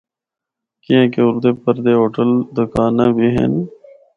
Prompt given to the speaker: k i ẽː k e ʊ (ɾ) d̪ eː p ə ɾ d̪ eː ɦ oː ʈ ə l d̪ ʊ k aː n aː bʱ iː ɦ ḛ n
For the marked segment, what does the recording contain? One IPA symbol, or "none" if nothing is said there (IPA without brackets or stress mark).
ɾ